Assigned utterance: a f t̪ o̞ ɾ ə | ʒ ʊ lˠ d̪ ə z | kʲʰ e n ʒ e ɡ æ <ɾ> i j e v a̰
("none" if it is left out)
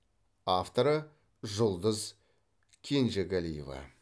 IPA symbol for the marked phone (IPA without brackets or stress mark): l